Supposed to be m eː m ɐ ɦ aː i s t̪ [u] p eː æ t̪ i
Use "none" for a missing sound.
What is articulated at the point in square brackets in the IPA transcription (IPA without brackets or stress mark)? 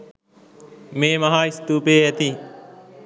uː